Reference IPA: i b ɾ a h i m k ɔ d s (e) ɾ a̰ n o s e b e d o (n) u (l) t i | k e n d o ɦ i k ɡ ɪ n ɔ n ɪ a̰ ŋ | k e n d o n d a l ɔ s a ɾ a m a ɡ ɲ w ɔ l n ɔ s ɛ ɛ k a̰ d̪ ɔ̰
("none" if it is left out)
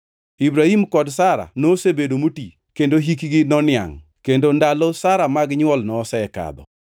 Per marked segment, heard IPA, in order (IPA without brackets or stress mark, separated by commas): a, m, none